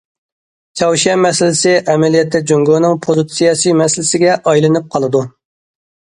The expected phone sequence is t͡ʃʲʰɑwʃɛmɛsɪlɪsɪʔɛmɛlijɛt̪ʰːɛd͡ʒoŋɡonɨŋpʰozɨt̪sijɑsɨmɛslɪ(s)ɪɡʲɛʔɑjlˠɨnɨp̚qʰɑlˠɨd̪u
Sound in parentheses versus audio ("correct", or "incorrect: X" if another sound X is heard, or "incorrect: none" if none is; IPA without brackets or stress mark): correct